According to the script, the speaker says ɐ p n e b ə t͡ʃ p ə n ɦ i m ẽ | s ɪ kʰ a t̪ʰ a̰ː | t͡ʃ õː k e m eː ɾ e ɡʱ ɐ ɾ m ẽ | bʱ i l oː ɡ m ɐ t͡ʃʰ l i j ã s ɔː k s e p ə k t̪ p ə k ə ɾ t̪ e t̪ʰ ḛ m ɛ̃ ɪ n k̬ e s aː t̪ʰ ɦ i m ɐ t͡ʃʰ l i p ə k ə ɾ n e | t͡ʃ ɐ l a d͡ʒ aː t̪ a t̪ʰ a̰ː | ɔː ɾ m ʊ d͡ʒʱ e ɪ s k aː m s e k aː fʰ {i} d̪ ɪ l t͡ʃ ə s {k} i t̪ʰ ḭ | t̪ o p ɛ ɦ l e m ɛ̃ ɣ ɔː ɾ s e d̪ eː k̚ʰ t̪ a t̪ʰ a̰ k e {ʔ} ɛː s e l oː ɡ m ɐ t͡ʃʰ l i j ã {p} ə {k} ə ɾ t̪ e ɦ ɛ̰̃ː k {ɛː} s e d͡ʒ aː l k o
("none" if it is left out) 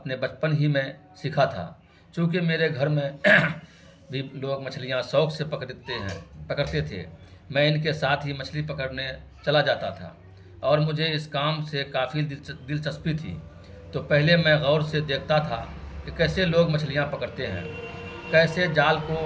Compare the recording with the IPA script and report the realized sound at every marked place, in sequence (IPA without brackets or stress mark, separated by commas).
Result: i, p, k, p, k, ɛː